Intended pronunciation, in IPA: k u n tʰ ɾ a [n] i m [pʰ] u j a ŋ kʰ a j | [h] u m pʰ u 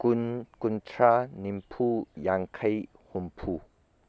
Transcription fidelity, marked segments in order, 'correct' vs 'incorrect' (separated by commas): correct, correct, correct